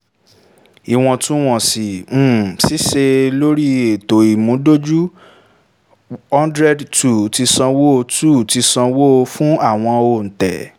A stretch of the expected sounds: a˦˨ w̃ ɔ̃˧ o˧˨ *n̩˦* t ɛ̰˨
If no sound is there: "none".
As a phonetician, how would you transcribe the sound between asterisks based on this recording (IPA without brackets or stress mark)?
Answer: n̩˨